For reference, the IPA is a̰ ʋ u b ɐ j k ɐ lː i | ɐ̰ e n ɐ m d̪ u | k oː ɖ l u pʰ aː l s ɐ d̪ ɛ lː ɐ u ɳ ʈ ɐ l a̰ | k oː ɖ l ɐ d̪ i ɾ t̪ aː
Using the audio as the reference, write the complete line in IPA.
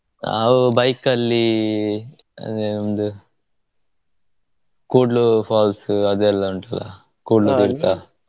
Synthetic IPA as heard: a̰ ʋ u b ɐ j k ɐ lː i | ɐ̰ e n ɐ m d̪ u | k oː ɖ l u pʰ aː l s ɐ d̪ ɛ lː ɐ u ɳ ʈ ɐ l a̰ | k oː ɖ l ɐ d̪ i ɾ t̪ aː

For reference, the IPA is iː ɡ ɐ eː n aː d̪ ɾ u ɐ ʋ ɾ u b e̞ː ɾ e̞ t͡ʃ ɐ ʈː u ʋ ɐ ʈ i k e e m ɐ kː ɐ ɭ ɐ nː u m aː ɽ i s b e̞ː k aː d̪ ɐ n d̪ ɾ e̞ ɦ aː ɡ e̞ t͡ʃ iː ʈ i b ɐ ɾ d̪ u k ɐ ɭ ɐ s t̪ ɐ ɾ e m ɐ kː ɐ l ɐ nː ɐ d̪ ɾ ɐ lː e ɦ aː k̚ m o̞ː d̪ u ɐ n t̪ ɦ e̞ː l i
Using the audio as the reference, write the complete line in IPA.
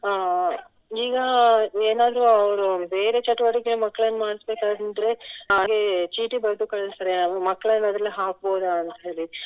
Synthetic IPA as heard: iː ɡ ɐ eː n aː d̪ ɾ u ɐ ʋ ɾ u b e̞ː ɾ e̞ t͡ʃ ɐ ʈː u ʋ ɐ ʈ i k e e m ɐ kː ɐ ɭ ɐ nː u m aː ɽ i s b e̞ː k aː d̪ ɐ n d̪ ɾ e̞ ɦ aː ɡ e̞ t͡ʃ iː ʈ i b ɐ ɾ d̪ u k ɐ ɭ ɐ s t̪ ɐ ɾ e m ɐ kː ɐ ɭ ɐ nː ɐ d̪ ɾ ɐ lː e ɦ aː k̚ b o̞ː d̪ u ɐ n t̪ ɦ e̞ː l i

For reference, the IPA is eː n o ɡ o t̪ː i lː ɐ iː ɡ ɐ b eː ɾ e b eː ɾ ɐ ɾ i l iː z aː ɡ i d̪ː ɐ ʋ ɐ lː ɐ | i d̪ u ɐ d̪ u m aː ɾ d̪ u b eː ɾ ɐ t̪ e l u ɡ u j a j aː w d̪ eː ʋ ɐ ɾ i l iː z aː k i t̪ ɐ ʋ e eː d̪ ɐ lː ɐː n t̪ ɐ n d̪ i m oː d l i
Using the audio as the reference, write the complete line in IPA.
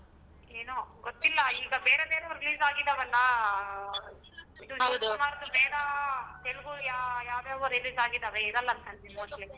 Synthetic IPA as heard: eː n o ɡ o t̪ː i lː ɐ iː ɡ ɐ b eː ɾ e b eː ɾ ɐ ɾ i l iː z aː ɡ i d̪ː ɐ ʋ ɐ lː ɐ | i d̪ u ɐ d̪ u m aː ɾ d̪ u b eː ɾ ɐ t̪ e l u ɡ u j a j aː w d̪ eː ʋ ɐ ɾ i l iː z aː ɡ i d̪ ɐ ʋ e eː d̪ ɐ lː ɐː n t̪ ɐ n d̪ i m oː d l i

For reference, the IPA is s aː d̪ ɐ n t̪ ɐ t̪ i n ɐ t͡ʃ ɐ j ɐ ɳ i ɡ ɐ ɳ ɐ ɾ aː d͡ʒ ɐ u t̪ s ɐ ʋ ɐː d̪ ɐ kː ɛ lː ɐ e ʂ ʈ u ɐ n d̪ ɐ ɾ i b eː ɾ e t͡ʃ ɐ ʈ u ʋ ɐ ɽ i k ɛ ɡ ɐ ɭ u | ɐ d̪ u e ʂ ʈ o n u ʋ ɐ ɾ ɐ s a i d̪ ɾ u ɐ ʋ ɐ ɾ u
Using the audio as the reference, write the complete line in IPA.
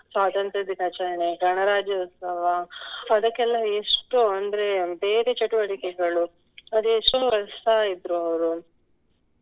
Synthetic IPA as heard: s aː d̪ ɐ n t̪ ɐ d̪ i n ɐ t͡ʃ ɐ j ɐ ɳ e ɡ ɐ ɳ ɐ ɾ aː d͡ʒ ɐ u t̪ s ɐ ʋ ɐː d̪ ɐ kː ɛ lː ɐ e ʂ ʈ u ɐ n d̪ ɐ ɾ e b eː ɾ e t͡ʃ ɐ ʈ u ʋ ɐ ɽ i k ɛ ɡ ɐ ɭ u | ɐ d̪ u e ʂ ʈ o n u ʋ ɐ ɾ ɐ s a i d̪ ɾ u ɐ ʋ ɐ ɾ u

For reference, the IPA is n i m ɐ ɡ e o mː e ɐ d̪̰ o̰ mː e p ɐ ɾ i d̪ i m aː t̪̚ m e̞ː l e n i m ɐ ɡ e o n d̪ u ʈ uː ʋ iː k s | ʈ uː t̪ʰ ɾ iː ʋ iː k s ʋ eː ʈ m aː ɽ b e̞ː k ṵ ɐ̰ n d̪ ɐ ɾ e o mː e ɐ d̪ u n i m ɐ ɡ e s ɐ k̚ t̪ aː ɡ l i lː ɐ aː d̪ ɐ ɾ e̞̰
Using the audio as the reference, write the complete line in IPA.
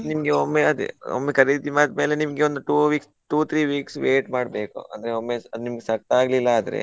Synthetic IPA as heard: n i m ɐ ɡ e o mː e ɐ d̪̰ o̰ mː e k ɐ ɾ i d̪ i m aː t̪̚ m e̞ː l e n i m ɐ ɡ e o n d̪ u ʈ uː ʋ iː k s | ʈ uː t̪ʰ ɾ iː ʋ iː k s ʋ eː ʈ m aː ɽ b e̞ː k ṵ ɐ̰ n d̪ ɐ ɾ e o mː e ɐ d̪ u n i m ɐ ɡ e s ɐ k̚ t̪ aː ɡ l i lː ɐ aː d̪ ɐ ɾ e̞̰

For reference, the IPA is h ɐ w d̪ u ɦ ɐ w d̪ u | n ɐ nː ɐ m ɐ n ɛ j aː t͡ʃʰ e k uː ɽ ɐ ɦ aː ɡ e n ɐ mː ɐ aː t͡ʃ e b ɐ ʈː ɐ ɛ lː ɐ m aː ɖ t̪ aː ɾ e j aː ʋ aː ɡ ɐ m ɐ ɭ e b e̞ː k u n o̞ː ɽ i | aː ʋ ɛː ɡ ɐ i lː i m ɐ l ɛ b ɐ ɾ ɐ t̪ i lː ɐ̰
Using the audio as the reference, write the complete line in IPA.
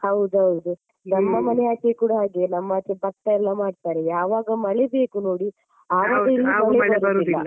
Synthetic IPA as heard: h ɐ w d̪ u ɦ ɐ w d̪ u | n ɐ mː ɐ m ɐ n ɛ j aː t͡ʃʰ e k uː ɽ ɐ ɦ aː ɡ e n ɐ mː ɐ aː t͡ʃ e b ɐ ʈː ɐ ɛ lː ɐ m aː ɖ t̪ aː ɾ e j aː ʋ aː ɡ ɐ m ɐ ɭ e b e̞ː k u n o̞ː ɽ i | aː ʋ aː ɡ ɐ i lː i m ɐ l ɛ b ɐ ɾ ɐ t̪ i lː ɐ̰

